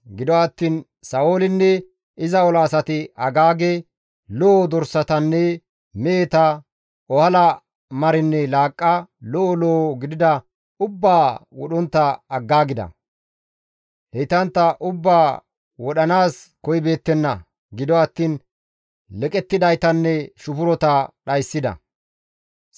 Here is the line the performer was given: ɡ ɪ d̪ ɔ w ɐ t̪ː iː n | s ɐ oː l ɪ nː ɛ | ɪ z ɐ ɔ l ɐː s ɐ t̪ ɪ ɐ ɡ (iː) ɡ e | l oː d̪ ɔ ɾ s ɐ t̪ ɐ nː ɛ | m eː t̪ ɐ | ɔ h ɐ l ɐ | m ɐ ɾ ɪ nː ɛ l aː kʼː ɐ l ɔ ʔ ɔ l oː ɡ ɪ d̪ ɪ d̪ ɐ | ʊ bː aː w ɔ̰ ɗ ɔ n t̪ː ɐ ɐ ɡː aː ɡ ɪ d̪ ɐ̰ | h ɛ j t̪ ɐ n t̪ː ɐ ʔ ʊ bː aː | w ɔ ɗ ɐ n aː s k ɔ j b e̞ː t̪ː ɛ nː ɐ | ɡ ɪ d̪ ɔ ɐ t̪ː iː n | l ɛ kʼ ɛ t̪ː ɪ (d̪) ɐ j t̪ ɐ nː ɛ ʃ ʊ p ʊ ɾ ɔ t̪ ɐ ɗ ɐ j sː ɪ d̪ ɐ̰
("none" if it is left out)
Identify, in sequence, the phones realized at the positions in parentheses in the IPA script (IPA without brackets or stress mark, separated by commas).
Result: aː, d̪